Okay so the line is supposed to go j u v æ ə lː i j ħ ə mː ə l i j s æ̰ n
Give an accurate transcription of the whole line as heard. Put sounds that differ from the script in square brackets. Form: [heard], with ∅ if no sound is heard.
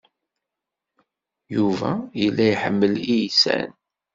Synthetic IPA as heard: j u v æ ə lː [æ] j ħ ə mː ə l i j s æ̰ n